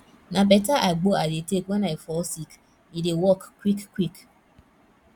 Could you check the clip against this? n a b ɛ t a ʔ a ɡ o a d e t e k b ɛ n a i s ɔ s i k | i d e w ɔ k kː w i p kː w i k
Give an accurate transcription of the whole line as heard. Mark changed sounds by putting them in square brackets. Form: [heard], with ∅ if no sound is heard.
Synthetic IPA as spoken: n a b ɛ t a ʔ a [ɡ͡b] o a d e t e k [w] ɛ n a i [f] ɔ s i k | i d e w ɔ k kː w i [k] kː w i k